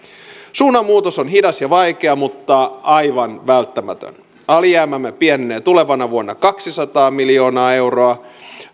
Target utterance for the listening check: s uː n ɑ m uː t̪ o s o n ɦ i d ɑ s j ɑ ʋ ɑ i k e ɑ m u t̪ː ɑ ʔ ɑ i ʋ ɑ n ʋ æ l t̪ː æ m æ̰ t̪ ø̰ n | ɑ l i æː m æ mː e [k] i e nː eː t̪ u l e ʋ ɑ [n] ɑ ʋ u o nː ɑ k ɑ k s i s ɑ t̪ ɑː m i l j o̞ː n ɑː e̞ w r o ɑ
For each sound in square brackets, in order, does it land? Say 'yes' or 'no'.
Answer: no, yes

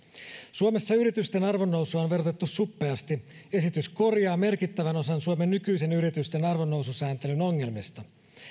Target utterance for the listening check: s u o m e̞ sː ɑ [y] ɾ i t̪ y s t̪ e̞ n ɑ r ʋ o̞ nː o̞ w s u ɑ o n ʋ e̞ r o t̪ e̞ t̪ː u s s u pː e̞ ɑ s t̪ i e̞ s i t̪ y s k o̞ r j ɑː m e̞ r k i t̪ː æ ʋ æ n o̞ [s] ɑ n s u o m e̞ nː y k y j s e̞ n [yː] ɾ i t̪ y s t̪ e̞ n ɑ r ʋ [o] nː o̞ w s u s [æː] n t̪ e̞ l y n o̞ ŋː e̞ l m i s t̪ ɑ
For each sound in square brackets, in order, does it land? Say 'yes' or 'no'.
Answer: yes, yes, no, yes, yes

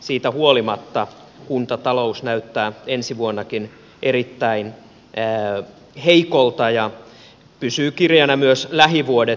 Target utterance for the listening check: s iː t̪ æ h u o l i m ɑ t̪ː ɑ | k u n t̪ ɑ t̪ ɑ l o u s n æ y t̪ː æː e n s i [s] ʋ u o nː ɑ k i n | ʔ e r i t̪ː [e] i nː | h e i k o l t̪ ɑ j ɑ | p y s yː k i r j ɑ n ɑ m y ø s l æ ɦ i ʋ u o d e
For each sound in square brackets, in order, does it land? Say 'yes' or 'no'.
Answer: no, no

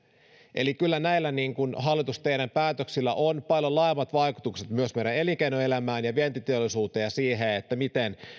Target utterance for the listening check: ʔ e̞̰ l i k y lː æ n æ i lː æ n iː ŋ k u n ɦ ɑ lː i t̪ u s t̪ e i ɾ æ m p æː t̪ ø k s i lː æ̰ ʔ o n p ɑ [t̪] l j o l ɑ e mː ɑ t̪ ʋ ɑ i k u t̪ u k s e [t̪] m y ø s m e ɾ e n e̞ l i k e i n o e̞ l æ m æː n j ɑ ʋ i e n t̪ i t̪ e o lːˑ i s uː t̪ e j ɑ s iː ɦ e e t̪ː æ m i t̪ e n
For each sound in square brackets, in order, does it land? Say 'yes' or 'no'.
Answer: no, yes

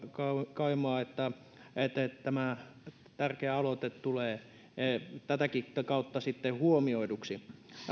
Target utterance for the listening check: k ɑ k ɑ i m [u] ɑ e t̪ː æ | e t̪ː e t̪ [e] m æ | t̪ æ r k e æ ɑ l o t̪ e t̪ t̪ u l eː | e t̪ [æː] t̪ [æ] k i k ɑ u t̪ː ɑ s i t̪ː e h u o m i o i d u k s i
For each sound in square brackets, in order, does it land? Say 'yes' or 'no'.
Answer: no, no, no, yes

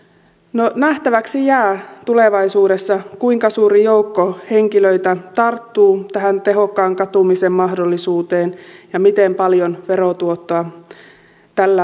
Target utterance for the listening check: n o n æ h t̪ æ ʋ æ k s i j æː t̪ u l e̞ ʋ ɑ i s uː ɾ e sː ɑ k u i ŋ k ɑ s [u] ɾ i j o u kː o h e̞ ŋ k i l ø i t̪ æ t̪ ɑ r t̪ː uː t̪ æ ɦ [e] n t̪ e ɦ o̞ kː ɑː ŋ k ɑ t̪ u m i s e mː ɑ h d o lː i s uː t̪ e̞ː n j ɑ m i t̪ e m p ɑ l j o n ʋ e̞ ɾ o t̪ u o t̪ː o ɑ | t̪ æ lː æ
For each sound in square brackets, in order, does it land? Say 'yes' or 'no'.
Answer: no, no

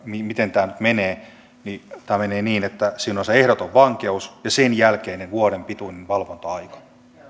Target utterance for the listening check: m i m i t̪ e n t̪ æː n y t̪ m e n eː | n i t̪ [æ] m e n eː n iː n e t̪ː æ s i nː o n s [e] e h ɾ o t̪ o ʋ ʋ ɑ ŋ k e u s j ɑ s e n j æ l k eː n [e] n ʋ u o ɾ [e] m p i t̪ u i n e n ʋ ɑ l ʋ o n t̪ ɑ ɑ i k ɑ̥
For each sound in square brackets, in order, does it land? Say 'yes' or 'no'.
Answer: no, yes, yes, yes

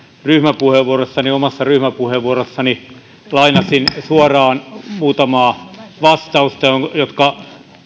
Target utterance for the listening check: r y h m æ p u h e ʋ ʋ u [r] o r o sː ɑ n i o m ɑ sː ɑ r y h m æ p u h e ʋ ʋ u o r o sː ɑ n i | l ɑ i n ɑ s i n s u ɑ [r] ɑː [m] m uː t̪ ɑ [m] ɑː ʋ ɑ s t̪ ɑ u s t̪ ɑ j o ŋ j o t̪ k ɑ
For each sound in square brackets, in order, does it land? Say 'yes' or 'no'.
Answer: no, yes, no, yes

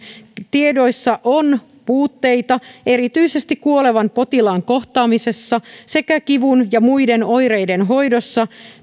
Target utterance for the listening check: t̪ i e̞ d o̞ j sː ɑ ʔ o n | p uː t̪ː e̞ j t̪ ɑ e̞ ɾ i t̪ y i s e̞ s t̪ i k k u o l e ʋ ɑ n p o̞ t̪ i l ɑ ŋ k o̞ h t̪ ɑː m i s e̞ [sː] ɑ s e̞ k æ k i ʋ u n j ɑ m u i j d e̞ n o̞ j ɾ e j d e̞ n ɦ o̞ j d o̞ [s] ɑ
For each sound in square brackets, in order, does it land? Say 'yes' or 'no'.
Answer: yes, no

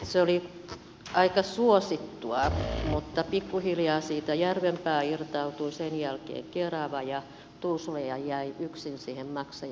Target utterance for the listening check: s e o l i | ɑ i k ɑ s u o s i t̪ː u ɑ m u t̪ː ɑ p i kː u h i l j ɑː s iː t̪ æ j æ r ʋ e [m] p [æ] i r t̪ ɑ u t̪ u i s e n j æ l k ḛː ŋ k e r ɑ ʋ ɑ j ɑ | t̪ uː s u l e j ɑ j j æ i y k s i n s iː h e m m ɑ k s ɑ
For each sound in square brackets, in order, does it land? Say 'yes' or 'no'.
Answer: yes, no

